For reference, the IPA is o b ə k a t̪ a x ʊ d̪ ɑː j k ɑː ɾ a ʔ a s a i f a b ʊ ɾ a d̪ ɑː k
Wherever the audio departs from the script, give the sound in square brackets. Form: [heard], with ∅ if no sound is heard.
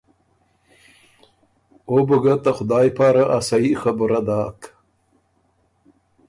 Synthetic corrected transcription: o b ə [ɡ] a t̪ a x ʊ d̪ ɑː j [p] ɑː ɾ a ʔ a s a i [x] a b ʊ ɾ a d̪ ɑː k

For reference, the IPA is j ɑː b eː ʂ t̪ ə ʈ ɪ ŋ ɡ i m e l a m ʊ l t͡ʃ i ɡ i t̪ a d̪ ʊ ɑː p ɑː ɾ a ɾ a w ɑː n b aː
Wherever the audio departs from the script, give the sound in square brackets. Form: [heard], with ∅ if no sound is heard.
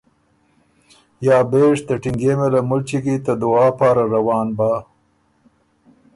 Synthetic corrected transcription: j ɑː b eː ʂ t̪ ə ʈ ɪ ŋ ɡ [e] m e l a m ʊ l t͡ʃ i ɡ i t̪ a d̪ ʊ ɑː p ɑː ɾ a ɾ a w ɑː n b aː

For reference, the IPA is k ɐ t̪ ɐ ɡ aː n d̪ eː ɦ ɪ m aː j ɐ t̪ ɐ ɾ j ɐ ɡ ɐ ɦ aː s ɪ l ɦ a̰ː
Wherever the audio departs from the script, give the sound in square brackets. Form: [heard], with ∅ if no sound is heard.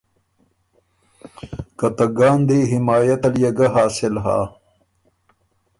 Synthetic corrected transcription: k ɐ t̪ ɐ ɡ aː n d̪ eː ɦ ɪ m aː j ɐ t̪ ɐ [l] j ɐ ɡ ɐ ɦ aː s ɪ l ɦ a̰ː

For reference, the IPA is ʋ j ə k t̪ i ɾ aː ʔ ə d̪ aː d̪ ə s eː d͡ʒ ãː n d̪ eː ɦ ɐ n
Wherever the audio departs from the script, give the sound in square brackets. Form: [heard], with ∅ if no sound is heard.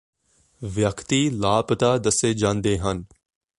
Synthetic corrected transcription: ʋ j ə k t̪ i [l] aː [p] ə [t̪] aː d̪ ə s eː d͡ʒ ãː n d̪ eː ɦ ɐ n

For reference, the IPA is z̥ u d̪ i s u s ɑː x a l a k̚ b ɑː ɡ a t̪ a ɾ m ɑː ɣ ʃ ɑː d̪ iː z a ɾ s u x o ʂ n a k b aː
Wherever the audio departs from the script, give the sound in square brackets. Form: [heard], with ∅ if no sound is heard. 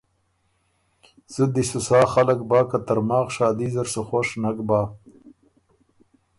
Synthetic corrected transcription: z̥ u d̪ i s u s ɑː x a l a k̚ b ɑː [k] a t̪ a ɾ m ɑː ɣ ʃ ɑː d̪ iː z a ɾ s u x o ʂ n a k b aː

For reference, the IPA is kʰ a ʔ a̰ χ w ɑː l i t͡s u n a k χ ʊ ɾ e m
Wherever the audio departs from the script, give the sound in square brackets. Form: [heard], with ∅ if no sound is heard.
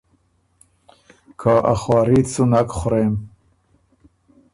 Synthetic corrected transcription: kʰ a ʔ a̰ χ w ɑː [ɾ] i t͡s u n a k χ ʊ ɾ e m

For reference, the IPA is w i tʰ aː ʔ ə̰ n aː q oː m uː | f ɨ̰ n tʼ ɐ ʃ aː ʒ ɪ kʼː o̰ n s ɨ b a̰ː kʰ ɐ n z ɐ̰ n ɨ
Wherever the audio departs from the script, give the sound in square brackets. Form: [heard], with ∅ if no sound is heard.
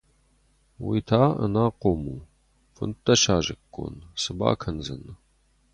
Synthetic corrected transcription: w i tʰ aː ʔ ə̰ n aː q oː m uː | f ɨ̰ n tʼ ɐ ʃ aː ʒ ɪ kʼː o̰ n s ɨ b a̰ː kʰ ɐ n z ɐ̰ n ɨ

